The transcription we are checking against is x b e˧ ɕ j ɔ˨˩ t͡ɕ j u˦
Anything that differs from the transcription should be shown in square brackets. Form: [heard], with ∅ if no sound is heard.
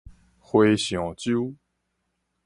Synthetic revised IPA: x [w] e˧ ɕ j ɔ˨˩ t͡ɕ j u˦